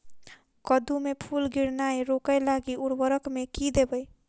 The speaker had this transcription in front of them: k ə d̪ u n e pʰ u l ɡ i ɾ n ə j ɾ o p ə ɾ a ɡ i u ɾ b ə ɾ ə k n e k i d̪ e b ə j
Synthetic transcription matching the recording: k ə d̪ u m e pʰ u l ɡ i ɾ n a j ɾ o k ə l a ɡ i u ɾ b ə ɾ ə k m e k i d̪ e b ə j